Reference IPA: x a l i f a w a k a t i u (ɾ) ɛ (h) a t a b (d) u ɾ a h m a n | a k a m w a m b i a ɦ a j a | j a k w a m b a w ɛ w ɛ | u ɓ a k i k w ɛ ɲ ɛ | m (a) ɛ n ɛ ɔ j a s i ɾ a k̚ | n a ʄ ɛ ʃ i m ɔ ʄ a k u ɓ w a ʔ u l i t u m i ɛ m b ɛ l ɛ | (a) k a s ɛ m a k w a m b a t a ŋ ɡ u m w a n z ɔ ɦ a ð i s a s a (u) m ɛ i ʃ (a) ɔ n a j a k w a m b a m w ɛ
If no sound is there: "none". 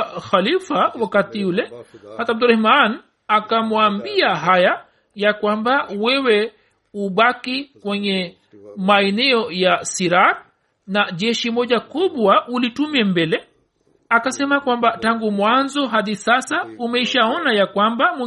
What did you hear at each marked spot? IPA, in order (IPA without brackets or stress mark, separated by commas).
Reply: l, h, d, a, a, u, a